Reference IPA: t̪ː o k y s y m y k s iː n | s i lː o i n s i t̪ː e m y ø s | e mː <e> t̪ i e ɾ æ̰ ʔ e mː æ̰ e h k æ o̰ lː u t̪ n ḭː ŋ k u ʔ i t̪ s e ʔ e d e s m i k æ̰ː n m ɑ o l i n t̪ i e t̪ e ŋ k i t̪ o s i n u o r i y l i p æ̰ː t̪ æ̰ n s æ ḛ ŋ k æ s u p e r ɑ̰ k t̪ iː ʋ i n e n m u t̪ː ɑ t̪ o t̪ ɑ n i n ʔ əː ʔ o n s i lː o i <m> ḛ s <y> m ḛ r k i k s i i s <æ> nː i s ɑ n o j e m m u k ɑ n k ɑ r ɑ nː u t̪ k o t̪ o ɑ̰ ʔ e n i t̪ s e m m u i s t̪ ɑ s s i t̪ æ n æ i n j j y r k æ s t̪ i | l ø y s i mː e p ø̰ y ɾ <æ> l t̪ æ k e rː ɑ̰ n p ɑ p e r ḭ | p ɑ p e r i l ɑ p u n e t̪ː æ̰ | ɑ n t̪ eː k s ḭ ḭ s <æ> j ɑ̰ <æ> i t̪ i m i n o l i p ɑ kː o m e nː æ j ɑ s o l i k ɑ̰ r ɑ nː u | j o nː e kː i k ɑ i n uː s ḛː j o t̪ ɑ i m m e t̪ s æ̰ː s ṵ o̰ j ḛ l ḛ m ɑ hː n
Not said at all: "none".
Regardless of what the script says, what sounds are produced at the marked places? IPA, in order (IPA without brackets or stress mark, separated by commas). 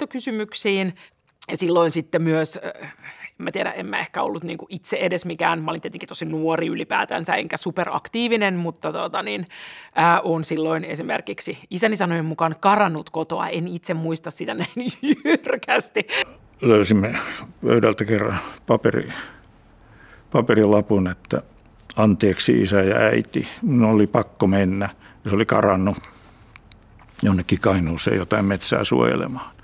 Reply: æ, n, i, æ, æ, æ, æ